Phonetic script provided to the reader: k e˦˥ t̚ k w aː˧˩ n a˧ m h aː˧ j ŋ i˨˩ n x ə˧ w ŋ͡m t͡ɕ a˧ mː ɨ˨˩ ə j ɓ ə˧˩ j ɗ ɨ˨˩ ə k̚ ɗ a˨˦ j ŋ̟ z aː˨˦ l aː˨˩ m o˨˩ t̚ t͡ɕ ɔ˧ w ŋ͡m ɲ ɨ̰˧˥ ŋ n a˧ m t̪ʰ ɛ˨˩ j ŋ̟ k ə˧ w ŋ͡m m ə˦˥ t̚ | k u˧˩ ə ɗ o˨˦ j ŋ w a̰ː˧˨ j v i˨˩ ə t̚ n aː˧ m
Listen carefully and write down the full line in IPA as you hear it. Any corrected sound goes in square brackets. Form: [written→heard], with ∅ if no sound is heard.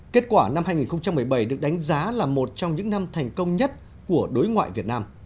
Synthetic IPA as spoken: k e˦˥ t̚ k w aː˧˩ n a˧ m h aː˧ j ŋ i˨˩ n x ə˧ w ŋ͡m t͡ɕ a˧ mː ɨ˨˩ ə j ɓ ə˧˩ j ɗ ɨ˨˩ ə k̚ ɗ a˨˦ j ŋ̟ z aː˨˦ l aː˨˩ m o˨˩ t̚ t͡ɕ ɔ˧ w ŋ͡m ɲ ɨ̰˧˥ ŋ n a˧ m t̪ʰ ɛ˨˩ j ŋ̟ k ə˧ w ŋ͡m [m→ɲ] ə˦˥ t̚ | k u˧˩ ə ɗ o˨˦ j ŋ w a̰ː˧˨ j v i˨˩ ə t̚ n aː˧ m